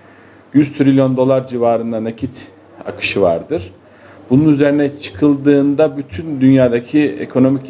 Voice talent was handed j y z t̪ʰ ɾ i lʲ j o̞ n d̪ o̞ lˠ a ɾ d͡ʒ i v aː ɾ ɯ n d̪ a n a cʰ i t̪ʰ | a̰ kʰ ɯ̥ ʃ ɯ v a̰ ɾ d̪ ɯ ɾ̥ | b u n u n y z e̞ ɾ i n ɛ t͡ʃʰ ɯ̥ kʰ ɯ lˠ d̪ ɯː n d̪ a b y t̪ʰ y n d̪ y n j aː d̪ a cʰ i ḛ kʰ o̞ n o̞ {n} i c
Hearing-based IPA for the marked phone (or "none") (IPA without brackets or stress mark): m